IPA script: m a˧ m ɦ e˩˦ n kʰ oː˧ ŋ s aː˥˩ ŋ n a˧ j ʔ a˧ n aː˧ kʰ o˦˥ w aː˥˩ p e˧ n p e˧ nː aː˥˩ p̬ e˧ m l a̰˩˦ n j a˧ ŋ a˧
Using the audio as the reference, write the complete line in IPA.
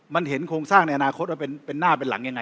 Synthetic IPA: m a˧ n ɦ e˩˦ n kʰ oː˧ ŋ s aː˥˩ ŋ n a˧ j ʔ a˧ n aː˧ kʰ o˦˥ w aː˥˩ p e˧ n p e˧ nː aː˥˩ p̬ e˧ n l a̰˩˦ ŋ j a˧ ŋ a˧